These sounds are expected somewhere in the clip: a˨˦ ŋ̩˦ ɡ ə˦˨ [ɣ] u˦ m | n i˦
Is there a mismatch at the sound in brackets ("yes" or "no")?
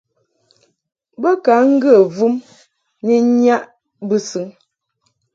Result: yes